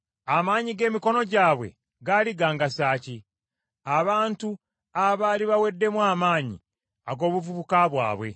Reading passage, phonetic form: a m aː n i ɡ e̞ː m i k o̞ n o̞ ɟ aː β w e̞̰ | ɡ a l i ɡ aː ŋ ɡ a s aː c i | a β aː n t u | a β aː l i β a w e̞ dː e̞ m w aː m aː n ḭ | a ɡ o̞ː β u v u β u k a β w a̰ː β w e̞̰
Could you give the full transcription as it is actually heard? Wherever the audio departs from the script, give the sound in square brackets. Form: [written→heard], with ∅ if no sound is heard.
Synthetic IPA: a m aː [n→ɲ] i ɡ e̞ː m i k o̞ n o̞ ɟ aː β w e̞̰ | ɡ a l i ɡ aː ŋ ɡ a s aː c i | a β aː n t u | a β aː l i β a w e̞ dː e̞ m w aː m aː [n→ɲ] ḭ | a ɡ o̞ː β u v u β u k a β w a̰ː β w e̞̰